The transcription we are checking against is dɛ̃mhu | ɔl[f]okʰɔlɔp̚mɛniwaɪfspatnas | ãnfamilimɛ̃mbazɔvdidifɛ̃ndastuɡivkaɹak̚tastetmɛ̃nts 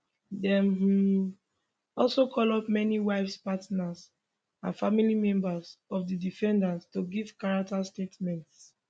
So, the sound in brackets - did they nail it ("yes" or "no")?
no